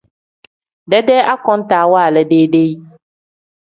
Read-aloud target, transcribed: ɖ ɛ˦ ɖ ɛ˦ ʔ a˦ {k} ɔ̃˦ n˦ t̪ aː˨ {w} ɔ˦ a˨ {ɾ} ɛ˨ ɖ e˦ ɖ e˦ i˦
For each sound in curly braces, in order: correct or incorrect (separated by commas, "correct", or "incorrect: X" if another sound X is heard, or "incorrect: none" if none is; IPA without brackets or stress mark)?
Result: correct, correct, incorrect: l